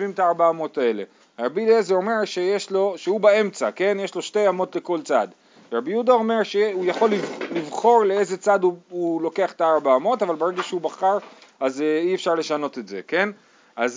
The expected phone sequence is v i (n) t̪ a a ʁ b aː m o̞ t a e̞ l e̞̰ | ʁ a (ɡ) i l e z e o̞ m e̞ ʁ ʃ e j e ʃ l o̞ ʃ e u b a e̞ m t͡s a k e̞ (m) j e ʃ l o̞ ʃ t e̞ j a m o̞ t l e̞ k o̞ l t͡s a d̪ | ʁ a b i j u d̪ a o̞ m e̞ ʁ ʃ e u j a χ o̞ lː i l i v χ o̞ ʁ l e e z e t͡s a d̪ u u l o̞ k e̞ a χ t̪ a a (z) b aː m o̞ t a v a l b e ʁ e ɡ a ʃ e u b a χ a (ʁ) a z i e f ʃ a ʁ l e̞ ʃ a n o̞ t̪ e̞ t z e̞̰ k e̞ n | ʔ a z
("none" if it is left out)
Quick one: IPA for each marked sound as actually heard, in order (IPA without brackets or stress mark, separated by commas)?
m, b, n, ʁ, ʁ